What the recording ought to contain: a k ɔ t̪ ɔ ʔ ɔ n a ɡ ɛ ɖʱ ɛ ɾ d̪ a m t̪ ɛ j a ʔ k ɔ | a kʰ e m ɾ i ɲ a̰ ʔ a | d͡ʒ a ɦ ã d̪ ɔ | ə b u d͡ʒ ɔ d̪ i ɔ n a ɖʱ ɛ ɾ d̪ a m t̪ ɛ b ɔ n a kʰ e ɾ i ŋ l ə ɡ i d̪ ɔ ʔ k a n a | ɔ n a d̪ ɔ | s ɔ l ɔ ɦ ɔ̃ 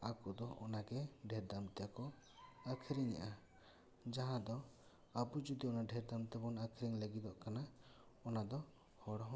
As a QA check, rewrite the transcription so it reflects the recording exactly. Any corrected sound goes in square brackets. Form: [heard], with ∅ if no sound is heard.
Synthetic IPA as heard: a k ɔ [d̪] ɔ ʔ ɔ n a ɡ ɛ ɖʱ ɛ ɾ d̪ a m t̪ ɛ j a [∅] k ɔ | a kʰ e [∅] ɾ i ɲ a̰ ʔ a | d͡ʒ a ɦ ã d̪ ɔ | [a] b u d͡ʒ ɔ d̪ i ɔ n a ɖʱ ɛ ɾ d̪ a m t̪ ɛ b ɔ n a kʰ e ɾ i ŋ l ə ɡ i d̪ ɔ ʔ k a n a | ɔ n a d̪ ɔ | [h] ɔ [ɽ] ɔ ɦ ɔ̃